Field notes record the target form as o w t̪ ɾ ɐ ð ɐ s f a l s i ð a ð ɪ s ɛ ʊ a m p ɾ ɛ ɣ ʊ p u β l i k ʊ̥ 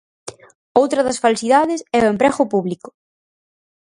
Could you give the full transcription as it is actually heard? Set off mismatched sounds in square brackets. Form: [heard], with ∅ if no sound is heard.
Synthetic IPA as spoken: o w t̪ ɾ ɐ ð ɐ s f a l s i ð a ð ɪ s ɛ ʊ [e] m p ɾ ɛ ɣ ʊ p u β l i k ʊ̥

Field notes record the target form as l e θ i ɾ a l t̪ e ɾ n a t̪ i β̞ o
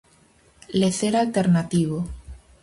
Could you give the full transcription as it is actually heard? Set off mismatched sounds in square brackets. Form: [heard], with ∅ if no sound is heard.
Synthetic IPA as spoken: l e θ [e] ɾ a l t̪ e ɾ n a t̪ i β̞ o

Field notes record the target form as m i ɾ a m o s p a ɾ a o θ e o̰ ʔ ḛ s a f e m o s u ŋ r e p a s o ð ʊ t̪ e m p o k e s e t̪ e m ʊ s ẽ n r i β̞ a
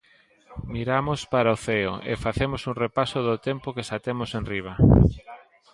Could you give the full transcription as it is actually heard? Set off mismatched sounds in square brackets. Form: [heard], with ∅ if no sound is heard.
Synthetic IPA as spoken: m i ɾ a m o s p a ɾ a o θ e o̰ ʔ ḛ [f] a [θ] e m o s u ŋ r e p a s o ð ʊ t̪ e m p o k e s [a] t̪ e m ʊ s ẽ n r i β̞ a

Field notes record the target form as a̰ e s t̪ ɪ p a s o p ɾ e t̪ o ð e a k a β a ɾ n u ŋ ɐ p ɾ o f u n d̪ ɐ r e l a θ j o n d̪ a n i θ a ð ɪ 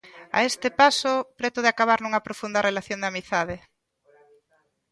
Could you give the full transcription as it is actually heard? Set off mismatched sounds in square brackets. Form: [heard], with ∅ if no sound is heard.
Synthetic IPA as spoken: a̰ e s t̪ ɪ p a s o p ɾ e t̪ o ð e a k a β a ɾ n u ŋ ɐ p ɾ o f u n d̪ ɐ r e l a θ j o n d̪ a [m] i θ a ð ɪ

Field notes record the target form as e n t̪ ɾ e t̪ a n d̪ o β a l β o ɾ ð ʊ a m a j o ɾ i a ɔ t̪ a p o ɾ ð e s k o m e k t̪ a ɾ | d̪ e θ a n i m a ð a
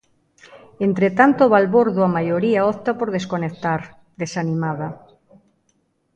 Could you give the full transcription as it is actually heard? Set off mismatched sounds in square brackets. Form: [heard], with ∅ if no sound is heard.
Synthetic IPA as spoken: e n t̪ ɾ e t̪ a n [t̪] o β a l β o ɾ ð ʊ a m a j o ɾ i a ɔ t̪ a p o ɾ ð e s k o [n] e k t̪ a ɾ | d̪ e [s] a n i m a ð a

